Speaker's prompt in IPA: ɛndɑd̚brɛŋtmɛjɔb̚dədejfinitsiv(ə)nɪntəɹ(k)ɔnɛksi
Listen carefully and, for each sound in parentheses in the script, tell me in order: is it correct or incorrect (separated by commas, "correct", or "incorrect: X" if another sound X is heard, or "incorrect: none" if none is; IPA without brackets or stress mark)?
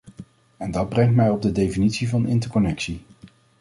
incorrect: ɑ, correct